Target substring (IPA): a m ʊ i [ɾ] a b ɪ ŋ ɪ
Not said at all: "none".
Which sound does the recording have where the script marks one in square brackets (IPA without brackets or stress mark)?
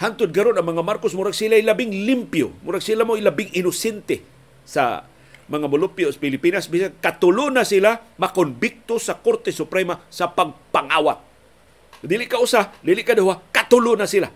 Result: l